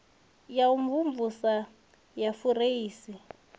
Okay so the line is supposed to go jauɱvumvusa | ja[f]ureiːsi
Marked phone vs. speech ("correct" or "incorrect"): correct